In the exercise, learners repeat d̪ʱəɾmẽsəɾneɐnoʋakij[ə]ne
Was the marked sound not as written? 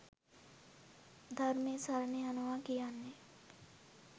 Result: yes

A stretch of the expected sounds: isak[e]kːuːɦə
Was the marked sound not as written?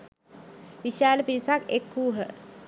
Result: no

